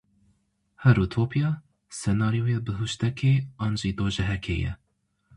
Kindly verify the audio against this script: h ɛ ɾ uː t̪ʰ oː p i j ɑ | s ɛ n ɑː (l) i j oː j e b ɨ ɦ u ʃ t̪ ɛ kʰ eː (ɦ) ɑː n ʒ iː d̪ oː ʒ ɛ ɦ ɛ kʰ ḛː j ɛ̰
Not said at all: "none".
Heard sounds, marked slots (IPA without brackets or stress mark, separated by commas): ɾ, none